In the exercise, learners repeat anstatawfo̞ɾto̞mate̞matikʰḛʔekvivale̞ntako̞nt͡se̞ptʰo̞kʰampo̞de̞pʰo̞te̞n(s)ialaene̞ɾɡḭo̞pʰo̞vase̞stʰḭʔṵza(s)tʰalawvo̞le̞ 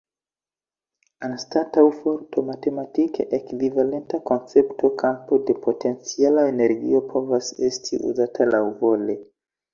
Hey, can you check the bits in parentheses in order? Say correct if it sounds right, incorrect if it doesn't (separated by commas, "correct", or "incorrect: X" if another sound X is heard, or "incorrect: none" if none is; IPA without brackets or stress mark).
incorrect: t͡s, incorrect: none